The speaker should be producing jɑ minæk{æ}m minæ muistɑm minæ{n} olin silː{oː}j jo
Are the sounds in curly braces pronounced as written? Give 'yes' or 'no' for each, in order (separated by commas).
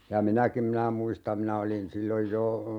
no, no, no